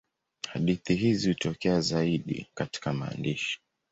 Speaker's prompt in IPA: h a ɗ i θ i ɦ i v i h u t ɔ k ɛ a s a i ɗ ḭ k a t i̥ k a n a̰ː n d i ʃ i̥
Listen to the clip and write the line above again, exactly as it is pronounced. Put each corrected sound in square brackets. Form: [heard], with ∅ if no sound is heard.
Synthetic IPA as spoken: h a ɗ i θ i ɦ i [z] i h u t ɔ k ɛ a [z] a i ɗ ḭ k a t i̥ k a [m] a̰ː n d i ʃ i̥